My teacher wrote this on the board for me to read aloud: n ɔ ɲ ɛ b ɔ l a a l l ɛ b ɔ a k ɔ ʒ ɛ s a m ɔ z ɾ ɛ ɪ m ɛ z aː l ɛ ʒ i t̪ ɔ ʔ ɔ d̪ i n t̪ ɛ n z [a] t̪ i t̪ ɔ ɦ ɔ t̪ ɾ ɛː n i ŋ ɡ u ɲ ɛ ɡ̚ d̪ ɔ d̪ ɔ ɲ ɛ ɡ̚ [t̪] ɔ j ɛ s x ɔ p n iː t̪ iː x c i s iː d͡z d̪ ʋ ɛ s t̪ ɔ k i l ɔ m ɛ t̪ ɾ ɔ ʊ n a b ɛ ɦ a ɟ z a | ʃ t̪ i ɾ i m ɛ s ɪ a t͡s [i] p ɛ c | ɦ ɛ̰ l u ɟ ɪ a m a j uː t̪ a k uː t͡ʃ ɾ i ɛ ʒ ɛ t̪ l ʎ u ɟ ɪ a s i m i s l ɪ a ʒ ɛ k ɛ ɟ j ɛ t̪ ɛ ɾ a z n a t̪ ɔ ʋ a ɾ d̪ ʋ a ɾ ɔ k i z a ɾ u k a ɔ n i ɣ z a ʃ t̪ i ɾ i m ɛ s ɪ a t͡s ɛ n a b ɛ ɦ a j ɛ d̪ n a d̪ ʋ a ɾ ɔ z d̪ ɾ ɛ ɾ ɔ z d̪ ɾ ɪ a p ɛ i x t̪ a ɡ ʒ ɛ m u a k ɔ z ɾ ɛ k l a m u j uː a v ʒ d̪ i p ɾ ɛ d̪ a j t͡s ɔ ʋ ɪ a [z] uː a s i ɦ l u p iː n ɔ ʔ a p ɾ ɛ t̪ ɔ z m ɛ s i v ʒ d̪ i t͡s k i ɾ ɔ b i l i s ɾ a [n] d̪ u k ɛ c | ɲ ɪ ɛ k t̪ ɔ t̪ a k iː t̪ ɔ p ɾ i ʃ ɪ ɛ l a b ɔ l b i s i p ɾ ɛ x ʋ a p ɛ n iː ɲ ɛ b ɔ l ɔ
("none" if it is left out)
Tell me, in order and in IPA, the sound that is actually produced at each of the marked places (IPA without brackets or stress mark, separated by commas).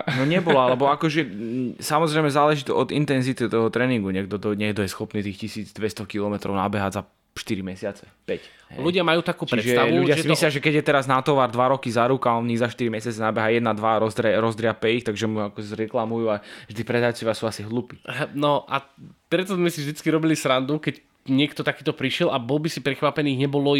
i, d̪, ɛ, s, n